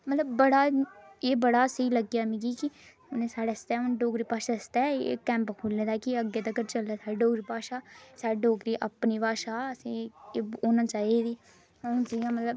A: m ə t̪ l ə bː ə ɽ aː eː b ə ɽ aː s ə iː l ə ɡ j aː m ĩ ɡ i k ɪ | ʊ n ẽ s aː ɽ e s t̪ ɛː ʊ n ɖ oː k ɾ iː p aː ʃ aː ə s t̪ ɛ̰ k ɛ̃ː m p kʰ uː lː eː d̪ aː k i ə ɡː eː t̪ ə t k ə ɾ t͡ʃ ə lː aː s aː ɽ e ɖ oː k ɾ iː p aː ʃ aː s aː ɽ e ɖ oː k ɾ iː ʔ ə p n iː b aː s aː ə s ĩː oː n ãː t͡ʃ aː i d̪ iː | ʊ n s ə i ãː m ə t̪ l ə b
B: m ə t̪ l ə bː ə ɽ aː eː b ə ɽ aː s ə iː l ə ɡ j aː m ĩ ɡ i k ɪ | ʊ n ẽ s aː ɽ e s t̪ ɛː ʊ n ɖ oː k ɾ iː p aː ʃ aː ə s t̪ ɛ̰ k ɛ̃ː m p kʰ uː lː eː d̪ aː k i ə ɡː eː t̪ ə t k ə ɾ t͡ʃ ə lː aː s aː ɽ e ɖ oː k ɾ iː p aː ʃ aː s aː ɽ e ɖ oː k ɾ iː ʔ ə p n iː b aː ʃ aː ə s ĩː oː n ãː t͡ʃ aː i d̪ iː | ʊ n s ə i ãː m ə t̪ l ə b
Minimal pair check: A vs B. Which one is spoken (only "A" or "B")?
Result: B